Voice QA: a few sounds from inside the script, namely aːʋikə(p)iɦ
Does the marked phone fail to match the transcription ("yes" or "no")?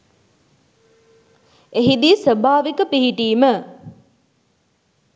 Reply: no